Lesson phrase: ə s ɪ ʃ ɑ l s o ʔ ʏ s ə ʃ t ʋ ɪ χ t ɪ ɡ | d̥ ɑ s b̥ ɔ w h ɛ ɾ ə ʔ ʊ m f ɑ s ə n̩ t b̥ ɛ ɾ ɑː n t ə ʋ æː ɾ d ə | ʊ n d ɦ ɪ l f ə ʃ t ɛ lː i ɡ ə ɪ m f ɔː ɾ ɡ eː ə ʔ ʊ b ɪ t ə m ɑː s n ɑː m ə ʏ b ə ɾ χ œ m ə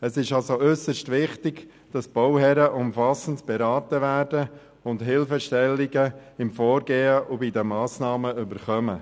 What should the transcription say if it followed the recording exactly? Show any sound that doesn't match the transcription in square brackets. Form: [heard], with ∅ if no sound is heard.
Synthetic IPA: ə s ɪ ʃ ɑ l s o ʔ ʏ s ə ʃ t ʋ ɪ χ t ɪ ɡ | d̥ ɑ s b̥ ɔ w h ɛ ɾ ə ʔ ʊ m f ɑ s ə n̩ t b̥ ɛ ɾ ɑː [∅] t ə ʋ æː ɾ d ə | ʊ n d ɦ ɪ l f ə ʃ t ɛ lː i ɡ ə ɪ m f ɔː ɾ ɡ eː ə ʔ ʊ b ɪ [d] ə m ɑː s n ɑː m ə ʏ b ə ɾ χ œ m ə